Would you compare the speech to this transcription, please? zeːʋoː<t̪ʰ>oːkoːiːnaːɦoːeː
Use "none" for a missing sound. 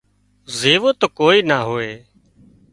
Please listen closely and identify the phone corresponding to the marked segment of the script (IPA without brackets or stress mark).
t̪